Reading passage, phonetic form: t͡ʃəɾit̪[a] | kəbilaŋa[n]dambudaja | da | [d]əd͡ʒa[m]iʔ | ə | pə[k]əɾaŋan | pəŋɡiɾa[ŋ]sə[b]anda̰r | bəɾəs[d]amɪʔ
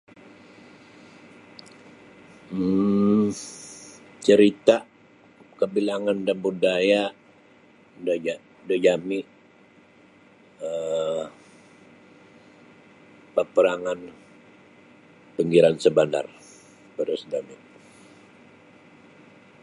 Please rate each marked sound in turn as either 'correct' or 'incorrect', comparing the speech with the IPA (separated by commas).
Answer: correct, correct, correct, correct, incorrect, incorrect, correct, correct